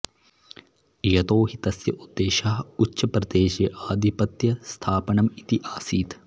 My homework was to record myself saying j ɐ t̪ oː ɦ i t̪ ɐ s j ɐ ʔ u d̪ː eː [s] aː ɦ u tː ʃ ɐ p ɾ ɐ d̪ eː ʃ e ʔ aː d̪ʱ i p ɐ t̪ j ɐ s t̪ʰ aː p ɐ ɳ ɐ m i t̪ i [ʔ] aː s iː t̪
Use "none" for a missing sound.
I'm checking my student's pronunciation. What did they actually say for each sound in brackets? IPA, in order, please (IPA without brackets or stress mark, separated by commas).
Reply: ʃ, ʔ